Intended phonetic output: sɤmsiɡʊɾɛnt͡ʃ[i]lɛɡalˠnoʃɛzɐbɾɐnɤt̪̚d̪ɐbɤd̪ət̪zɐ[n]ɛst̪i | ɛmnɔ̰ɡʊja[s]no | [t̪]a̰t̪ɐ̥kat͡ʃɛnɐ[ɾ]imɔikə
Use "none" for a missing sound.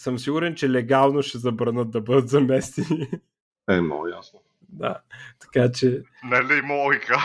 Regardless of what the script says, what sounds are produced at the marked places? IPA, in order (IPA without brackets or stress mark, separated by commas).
ɛ, m, s, d̪, l